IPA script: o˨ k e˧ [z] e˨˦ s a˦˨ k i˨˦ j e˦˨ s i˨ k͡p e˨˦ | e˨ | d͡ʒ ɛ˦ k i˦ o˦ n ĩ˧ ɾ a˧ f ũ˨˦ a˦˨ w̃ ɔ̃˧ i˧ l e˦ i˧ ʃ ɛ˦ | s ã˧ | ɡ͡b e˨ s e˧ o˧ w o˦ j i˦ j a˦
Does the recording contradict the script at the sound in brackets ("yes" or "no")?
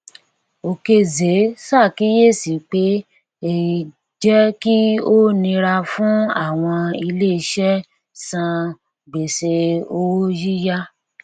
no